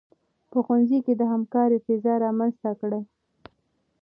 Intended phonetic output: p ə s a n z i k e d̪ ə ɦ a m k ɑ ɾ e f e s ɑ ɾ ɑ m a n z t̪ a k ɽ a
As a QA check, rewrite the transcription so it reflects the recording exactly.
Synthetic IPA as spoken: p ə x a n z i k e d̪ ə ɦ a m k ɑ ɾ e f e z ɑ ɾ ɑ m a n z t̪ a k ɽ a